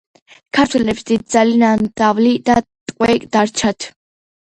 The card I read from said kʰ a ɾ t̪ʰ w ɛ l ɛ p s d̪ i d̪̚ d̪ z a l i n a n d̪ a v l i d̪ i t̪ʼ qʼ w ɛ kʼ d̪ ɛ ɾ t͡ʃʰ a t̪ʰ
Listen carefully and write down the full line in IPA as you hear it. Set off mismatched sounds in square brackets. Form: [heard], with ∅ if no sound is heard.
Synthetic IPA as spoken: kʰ a ɾ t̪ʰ w ɛ l ɛ p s d̪ i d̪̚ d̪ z a l i n a n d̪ a v l i d̪ [a] t̪ʼ qʼ w ɛ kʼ d̪ [a] ɾ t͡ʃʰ a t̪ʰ